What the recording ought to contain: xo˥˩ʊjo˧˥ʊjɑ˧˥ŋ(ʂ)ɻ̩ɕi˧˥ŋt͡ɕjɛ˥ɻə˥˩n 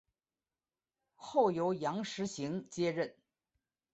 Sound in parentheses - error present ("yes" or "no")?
no